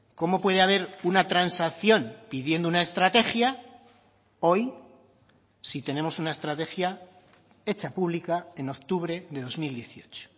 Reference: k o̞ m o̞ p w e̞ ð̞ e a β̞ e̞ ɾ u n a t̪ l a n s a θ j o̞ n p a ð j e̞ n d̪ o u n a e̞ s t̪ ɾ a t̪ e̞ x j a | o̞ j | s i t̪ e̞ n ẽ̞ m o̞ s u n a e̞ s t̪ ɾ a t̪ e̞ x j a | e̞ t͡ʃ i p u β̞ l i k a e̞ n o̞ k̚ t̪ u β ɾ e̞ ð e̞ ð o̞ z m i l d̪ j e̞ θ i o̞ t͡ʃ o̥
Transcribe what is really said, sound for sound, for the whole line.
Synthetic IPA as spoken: k o̞ m o̞ p w e̞ ð̞ e a β̞ e̞ ɾ u n a t̪ ɾ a n s a θ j o̞ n p i ð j e̞ n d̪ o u n a e̞ s t̪ ɾ a t̪ e̞ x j a | o̞ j | s i t̪ e̞ n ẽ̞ m o̞ s u n a e̞ s t̪ ɾ a t̪ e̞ x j a | e̞ t͡ʃ a p u β̞ l i k a e̞ n o̞ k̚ t̪ u β ɾ e̞ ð e̞ ð o̞ z m i l d̪ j e̞ θ i o̞ t͡ʃ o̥